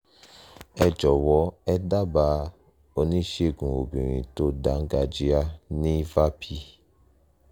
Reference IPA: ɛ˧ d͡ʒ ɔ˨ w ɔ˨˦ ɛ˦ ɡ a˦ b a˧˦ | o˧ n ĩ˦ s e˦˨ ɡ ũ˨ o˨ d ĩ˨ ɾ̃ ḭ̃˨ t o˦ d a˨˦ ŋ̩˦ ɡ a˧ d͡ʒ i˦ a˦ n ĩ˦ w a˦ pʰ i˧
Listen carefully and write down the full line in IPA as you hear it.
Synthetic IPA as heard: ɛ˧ d͡ʒ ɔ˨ w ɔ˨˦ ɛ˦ d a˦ b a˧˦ | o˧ n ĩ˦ ʃ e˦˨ ɡ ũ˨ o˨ b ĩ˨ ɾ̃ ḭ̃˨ t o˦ d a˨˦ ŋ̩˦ ɡ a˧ d͡ʒ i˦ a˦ n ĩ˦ v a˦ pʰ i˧

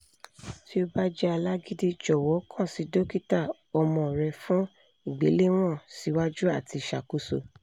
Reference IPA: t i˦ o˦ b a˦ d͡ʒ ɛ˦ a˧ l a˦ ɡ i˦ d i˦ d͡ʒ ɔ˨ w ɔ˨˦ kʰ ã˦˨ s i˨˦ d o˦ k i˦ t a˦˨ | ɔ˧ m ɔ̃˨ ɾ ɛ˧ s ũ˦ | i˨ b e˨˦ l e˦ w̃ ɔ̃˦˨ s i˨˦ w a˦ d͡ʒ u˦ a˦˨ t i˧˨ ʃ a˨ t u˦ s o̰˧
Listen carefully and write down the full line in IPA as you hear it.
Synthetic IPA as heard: t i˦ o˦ b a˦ d͡ʒ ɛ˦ a˧ l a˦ ɡ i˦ d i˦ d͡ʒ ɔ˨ w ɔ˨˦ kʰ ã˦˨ s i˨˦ d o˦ k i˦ t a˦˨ | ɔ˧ m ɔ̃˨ ɾ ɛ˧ f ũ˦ | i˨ ɡ͡b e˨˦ l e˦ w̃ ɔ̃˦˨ s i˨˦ w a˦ d͡ʒ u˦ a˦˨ t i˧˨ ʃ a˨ k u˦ s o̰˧

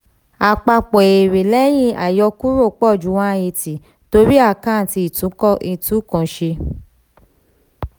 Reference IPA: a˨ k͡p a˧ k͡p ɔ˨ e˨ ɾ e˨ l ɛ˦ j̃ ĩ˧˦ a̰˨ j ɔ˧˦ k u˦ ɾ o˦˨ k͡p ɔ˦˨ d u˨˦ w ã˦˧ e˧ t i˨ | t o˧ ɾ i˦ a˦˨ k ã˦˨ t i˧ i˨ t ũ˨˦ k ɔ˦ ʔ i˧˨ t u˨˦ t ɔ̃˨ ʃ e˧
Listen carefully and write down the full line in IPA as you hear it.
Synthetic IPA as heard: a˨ k͡p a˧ k͡p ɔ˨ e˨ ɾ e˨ l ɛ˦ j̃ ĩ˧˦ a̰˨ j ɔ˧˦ k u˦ ɾ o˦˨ k͡p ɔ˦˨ d͡ʒ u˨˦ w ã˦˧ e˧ t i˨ | t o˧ ɾ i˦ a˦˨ k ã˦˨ t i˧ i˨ t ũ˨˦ k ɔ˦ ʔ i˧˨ t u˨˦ k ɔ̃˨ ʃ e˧

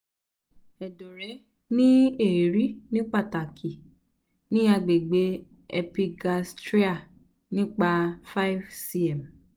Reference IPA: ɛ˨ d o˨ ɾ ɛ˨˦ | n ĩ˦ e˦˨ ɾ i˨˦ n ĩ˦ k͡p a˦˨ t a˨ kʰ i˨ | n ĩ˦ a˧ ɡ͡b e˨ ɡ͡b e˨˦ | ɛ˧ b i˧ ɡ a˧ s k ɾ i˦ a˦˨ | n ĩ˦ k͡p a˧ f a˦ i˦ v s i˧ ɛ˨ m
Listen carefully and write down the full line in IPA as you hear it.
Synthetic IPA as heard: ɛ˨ d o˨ ɾ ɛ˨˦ | n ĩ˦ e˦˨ ɾ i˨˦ n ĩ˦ k͡p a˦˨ t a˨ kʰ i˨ | n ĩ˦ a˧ ɡ͡b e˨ ɡ͡b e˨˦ | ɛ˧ p i˧ ɡ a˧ s t ɾ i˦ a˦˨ | n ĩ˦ k͡p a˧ f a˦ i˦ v s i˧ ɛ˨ m

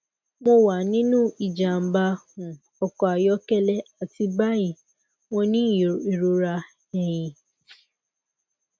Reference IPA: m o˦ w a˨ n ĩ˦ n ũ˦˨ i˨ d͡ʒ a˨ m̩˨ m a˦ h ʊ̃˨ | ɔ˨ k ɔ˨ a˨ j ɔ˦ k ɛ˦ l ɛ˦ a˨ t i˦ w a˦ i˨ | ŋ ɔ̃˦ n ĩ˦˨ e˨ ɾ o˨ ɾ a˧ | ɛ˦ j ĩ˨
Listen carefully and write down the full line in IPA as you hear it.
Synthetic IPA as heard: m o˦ w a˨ n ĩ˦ n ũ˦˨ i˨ d͡ʒ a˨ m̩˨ b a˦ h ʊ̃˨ | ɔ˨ k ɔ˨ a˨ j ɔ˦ k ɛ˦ l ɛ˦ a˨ t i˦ b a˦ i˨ | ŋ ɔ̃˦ n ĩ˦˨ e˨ ɾ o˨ ɾ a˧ | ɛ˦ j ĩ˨

